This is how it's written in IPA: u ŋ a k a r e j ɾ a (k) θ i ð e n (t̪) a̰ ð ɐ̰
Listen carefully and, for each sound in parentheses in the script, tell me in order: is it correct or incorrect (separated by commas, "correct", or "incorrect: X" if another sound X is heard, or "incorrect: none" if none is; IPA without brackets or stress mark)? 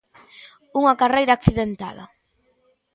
correct, correct